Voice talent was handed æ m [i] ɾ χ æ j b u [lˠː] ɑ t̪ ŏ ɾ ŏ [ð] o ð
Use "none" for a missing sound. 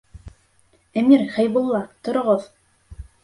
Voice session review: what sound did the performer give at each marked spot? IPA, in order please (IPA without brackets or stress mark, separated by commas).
i, lˠː, ʁ